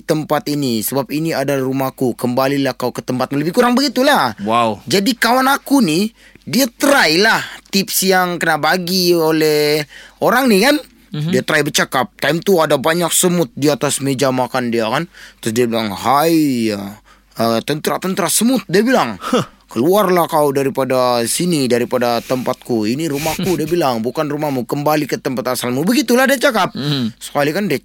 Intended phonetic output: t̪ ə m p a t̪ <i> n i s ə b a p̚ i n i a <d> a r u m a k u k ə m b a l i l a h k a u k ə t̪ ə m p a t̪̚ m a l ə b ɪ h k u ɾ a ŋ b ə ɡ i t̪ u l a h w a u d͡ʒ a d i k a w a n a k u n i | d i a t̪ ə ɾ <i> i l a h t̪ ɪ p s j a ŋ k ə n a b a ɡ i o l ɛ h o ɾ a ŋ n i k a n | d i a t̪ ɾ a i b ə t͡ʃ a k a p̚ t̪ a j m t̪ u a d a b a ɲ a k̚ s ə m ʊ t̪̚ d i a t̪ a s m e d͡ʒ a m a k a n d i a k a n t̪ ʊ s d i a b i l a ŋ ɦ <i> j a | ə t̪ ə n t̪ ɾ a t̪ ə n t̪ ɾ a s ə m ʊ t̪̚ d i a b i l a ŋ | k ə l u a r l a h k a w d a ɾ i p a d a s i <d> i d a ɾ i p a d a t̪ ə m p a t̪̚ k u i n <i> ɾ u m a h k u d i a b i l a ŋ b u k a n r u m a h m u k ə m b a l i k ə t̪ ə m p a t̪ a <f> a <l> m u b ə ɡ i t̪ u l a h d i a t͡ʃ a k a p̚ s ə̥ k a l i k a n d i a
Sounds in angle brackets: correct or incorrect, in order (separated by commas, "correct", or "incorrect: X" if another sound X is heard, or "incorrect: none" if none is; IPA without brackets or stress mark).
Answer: correct, correct, incorrect: a, incorrect: a, incorrect: n, correct, incorrect: s, correct